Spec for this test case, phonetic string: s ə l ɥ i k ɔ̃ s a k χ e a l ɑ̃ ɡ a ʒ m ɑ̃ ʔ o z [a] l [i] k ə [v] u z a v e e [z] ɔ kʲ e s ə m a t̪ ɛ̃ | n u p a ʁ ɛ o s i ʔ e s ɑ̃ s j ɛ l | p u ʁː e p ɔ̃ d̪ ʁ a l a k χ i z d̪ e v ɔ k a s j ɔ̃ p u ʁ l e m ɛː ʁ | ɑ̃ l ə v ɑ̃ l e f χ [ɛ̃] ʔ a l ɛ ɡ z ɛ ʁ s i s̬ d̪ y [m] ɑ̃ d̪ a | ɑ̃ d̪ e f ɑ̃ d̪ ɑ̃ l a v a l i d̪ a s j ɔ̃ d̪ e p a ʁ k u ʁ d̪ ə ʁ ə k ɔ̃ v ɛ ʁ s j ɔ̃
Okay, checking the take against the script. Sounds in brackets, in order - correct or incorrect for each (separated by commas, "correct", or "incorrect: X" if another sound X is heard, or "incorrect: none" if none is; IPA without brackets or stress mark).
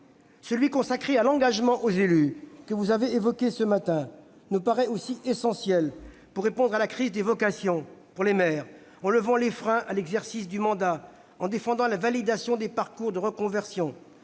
incorrect: e, incorrect: y, correct, incorrect: v, correct, correct